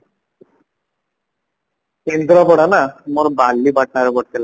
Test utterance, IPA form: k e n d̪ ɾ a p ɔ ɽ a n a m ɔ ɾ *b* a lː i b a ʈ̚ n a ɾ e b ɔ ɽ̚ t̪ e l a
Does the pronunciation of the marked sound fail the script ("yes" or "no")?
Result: no